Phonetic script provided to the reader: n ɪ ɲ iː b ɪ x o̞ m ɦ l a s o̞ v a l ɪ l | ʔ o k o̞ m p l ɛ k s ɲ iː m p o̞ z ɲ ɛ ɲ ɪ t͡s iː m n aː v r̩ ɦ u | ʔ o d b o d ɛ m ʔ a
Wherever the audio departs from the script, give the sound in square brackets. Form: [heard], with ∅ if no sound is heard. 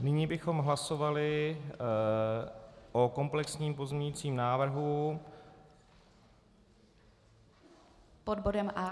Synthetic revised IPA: n ɪ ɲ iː b ɪ x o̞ m ɦ l a s o̞ v a l ɪ [∅] | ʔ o k o̞ m p l ɛ k s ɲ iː m p o̞ z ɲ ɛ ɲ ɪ t͡s iː m n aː v r̩ ɦ u | [p] o d b o d ɛ m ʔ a